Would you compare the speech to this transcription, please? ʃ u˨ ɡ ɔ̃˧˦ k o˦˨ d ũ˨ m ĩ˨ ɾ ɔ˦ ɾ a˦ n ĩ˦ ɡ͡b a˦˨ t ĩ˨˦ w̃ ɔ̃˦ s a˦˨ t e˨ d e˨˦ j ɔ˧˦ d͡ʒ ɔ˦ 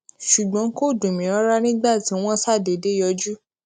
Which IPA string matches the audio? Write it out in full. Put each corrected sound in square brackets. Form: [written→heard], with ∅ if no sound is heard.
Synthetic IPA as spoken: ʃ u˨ [ɡ→ɡ͡b] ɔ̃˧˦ k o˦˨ d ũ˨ m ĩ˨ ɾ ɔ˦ ɾ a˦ n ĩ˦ ɡ͡b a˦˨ t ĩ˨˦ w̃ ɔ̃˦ s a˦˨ [t→d] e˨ d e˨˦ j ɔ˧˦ d͡ʒ [ɔ˦→u˦]